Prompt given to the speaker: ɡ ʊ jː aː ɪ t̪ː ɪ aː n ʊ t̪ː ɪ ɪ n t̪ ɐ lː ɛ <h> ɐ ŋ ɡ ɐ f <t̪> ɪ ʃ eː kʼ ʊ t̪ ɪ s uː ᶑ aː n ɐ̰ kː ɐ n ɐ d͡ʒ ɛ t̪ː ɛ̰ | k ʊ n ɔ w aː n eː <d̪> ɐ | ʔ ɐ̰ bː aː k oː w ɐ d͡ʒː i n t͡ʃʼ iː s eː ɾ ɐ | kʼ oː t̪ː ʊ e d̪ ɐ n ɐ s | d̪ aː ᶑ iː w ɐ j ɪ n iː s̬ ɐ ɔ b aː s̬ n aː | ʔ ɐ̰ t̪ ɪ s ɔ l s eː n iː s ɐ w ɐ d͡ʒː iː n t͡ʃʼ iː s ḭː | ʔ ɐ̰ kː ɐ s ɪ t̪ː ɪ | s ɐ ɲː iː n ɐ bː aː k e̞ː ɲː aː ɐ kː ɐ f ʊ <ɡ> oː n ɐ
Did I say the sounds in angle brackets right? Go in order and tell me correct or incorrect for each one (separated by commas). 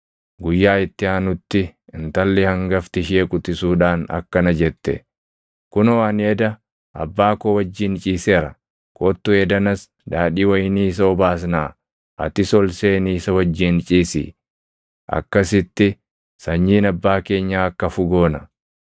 correct, correct, correct, correct